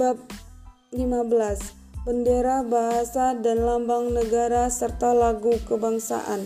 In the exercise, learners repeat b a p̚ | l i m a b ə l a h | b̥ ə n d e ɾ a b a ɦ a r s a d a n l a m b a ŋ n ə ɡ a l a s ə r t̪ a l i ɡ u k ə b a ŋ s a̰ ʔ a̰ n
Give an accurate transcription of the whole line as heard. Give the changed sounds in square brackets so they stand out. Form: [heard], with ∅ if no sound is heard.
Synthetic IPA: b a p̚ | l i m a b ə l a [s] | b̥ ə n d e ɾ a b a ɦ a [∅] s a d a n l a m b a ŋ n ə ɡ a [ɾ] a s ə r t̪ a l [a] ɡ u k ə b a ŋ s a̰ ʔ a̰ n